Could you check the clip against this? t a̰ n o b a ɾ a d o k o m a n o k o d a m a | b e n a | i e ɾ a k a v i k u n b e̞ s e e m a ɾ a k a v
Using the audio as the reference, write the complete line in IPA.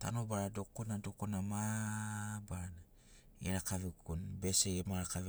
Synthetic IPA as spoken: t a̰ n o b a ɾ a d o k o n a d o k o n a m a | b a n a | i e ɾ a k a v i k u n b e̞ s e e m a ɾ a k a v